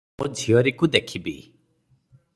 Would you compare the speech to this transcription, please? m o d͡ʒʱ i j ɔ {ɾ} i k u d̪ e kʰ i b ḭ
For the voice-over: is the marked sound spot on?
yes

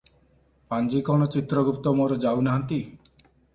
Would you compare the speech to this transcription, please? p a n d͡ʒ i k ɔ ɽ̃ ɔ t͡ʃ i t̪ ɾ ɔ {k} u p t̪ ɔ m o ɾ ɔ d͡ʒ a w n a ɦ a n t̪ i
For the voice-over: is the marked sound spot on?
no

